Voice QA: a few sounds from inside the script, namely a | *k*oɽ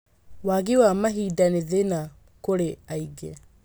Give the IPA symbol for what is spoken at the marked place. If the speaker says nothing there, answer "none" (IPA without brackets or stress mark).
k